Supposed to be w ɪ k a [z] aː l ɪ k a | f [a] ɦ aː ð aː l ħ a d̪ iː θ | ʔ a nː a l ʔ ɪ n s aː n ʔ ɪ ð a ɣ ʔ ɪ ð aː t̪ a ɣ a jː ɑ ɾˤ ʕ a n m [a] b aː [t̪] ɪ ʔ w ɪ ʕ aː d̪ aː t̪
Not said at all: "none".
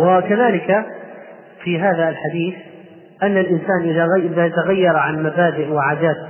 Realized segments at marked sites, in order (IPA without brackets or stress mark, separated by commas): ð, i, a, d̪